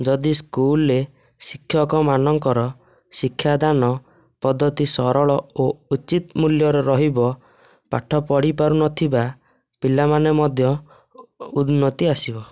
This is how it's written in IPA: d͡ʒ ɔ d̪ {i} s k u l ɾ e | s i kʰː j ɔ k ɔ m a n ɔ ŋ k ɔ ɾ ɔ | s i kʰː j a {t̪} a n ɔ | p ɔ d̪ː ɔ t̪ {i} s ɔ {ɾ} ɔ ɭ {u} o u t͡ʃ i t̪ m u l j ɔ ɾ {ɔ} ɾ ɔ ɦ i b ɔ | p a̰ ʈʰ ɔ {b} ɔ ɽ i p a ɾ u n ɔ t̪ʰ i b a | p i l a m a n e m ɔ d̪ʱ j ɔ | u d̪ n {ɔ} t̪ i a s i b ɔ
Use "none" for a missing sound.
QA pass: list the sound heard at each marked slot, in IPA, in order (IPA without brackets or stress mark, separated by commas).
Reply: i, d̪, i, ɾ, ɔ, ɔ, p, ɔ